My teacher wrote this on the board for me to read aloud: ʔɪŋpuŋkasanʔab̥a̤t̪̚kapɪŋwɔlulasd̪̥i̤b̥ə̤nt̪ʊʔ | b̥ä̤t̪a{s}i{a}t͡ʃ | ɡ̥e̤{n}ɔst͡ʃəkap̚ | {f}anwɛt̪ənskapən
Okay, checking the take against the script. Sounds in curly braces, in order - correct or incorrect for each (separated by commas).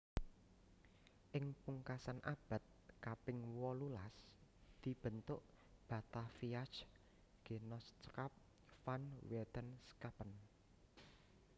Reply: incorrect, correct, correct, correct